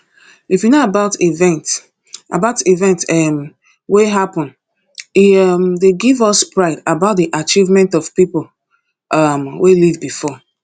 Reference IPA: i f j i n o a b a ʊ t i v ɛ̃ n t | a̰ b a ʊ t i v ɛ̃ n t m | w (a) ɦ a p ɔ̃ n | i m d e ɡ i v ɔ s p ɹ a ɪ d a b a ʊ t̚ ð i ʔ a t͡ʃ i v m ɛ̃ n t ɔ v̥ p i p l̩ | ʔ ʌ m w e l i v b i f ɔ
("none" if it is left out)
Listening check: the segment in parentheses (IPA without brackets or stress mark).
e